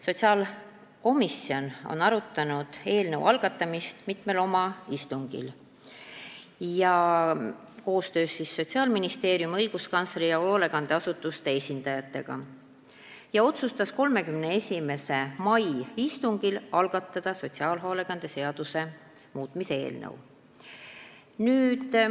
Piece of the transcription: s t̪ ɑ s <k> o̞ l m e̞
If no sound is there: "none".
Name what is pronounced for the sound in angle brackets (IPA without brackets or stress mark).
k